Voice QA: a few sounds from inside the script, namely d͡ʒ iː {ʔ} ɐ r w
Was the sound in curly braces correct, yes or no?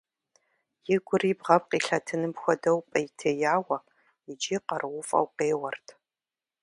no